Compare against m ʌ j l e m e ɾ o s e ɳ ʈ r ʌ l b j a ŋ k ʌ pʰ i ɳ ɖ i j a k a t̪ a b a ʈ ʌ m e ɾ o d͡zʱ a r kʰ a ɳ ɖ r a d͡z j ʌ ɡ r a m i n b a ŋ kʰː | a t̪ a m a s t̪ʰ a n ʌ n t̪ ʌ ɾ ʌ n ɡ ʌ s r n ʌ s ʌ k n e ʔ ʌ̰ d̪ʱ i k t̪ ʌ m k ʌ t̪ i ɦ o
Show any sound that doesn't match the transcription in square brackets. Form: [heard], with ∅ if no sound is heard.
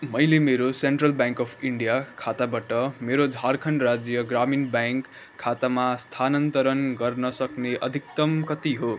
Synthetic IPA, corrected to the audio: m ʌ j l e m e ɾ o s e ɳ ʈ r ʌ l b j a ŋ k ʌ pʰ i ɳ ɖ i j a [kʰ] a t̪ a b a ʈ ʌ m e ɾ o d͡zʱ a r kʰ [ʌ] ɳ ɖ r a d͡z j ʌ ɡ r a m i n b a ŋ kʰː | a t̪ a m a s t̪ʰ a n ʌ n t̪ ʌ ɾ ʌ n ɡ ʌ [∅] r n ʌ s ʌ k n e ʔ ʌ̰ d̪ʱ i k t̪ ʌ m k ʌ t̪ i ɦ o